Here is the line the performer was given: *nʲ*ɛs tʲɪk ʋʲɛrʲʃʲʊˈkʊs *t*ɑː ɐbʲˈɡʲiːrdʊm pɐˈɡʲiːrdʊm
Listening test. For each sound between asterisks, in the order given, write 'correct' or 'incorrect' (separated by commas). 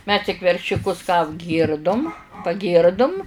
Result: incorrect, incorrect